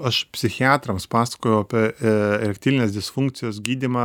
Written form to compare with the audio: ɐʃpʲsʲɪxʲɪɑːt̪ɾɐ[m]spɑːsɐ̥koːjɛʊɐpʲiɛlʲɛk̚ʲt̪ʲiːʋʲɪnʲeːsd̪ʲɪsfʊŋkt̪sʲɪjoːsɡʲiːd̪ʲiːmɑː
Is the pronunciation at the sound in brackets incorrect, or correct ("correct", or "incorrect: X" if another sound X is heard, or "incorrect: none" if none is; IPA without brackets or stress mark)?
correct